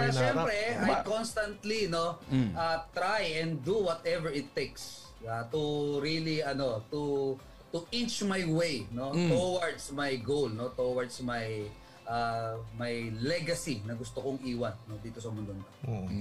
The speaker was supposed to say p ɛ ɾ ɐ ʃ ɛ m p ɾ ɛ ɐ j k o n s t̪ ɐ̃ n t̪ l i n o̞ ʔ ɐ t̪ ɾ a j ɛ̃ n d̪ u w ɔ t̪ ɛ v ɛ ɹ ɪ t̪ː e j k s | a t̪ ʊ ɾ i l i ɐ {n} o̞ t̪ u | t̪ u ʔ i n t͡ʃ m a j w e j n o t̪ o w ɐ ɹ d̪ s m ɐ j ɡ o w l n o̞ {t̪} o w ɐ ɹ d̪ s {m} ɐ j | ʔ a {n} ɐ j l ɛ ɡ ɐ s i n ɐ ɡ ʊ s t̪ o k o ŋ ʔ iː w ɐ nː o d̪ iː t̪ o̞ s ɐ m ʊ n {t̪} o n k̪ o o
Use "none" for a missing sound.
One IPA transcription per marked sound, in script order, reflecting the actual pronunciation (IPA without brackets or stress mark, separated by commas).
n, t̪, m, m, d̪